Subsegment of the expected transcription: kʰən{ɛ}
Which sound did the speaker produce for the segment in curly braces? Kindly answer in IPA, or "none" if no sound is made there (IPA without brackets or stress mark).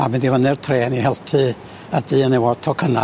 a